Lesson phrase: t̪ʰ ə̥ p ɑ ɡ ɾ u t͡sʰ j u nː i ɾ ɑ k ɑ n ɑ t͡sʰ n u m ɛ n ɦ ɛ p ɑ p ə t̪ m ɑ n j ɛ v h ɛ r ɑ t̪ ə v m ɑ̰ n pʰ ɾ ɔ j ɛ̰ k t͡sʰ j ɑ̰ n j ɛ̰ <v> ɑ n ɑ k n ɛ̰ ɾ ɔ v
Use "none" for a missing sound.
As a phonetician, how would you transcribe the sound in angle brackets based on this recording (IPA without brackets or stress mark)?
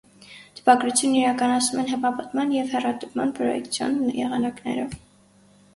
ʁ